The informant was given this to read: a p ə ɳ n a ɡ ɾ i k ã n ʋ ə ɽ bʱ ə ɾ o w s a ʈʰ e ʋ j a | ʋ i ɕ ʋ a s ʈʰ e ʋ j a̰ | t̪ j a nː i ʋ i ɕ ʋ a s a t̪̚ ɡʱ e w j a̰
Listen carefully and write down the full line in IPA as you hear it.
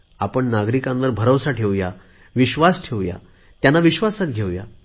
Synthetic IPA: a p ə ɳ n a ɡ ɾ i k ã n ʋ ə ɾ bʱ ə ɾ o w s a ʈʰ e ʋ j a | ʋ i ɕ ʋ a s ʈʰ e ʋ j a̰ | t̪ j a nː a ʋ i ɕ ʋ a s a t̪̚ ɡʱ e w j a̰